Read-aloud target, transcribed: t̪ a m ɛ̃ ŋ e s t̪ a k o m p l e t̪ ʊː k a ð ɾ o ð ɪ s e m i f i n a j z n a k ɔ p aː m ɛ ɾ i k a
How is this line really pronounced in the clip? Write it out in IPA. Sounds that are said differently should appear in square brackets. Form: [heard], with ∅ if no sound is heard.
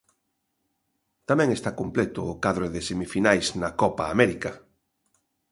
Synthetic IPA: t̪ a m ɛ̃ ŋ e s t̪ a k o m p l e t̪ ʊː k a ð ɾ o ð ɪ s e m i f i n a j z n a k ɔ p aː m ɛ ɾ i k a